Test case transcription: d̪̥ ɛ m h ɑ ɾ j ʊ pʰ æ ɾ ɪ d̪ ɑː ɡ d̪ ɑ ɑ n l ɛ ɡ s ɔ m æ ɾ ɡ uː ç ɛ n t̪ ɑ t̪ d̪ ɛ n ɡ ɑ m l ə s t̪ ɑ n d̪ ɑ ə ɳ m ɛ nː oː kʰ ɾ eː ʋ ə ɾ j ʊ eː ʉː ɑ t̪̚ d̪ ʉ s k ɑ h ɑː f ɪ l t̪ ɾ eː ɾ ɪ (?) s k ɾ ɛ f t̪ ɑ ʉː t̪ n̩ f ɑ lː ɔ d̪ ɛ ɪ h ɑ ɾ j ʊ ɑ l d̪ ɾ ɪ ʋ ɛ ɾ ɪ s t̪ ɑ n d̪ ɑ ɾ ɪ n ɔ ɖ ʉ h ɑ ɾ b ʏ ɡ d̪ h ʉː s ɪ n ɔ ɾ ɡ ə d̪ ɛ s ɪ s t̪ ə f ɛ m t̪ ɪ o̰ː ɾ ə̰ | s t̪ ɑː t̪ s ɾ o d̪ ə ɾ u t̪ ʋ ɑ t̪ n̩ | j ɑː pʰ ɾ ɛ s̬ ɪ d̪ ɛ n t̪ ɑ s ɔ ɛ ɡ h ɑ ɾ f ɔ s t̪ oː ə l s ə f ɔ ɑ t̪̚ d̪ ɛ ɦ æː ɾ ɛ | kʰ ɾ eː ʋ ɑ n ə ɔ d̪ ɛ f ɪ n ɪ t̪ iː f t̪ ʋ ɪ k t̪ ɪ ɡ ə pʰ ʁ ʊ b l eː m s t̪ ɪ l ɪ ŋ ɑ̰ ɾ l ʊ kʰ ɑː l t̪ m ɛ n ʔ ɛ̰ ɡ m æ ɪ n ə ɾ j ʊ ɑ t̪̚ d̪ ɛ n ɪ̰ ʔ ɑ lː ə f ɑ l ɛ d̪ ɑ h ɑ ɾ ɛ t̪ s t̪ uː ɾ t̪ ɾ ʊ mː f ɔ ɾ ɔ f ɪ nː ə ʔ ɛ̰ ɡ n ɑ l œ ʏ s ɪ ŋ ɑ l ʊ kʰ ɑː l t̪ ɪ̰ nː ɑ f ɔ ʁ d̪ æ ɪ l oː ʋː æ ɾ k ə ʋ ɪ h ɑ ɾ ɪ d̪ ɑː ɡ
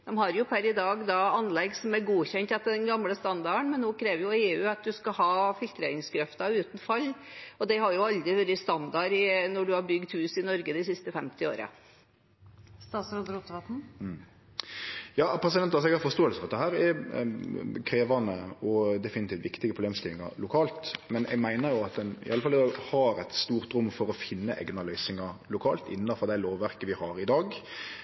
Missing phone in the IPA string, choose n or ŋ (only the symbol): ŋ